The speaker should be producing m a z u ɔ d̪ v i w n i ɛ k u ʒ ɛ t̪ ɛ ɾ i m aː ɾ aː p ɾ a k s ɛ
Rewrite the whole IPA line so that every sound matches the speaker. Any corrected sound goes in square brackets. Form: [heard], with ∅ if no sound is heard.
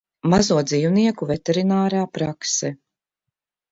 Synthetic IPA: m a z u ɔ d̪ [z] i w n i ɛ k u [v] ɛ t̪ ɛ ɾ i [n] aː ɾ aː p ɾ a k s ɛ